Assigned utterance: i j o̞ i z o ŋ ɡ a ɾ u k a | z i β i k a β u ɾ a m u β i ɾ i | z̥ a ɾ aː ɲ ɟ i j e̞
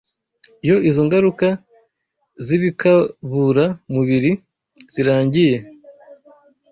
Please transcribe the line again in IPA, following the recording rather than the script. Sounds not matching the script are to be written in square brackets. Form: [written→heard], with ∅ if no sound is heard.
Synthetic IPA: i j o̞ i z o ŋ ɡ a ɾ u k a | z i β i k a β u ɾ a m u β i ɾ i | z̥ [a→i] ɾ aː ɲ ɟ i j e̞